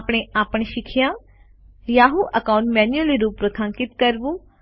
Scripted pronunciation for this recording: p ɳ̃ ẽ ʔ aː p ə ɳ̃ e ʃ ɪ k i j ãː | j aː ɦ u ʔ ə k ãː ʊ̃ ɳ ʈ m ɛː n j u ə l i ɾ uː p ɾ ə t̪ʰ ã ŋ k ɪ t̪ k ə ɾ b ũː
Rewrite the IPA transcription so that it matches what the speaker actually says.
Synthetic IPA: p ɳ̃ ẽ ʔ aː p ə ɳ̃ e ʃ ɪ kʰ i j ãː | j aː ɦ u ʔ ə k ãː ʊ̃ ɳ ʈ m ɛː n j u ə l i ɾ uː p ɾ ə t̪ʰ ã ŋ k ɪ t̪ k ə ɾ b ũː